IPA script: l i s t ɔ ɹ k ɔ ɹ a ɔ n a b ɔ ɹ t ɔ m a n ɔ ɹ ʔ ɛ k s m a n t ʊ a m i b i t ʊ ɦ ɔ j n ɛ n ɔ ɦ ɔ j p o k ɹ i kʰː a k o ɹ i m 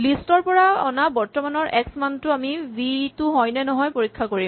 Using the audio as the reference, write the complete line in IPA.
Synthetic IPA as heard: l i s t ɔ ɹ p ɔ ɹ a ɔ n a b ɔ ɹ t ɔ m a n ɔ ɹ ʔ ɛ k s m a n t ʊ a m i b i t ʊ ɦ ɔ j n ɛ n ɔ ɦ ɔ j p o ɹ i kʰː a k o ɹ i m